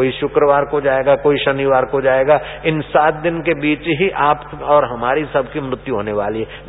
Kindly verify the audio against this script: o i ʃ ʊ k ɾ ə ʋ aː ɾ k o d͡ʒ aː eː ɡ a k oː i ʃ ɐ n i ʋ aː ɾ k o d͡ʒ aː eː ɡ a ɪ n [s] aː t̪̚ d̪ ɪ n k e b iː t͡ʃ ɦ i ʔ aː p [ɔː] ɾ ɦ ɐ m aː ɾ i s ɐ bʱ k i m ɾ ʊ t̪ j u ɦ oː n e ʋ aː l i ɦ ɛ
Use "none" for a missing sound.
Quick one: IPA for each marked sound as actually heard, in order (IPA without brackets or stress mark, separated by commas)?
s, ɔː